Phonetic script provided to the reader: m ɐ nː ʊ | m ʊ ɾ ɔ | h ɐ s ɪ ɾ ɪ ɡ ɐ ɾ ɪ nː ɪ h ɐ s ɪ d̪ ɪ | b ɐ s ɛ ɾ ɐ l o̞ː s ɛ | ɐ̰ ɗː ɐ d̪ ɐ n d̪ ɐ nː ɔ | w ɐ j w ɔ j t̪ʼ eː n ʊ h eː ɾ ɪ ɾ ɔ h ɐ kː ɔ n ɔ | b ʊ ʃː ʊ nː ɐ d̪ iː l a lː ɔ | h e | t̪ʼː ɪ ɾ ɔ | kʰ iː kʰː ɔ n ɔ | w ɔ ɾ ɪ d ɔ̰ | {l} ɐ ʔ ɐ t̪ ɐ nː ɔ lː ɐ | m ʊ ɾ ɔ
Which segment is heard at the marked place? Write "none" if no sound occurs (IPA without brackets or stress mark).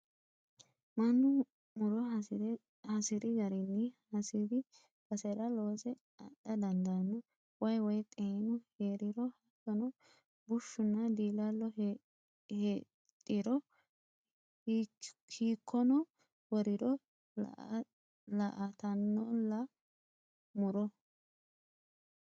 l